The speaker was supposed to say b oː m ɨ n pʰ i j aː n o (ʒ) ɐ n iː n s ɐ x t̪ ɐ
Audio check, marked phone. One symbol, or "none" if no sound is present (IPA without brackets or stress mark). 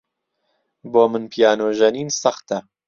ʒ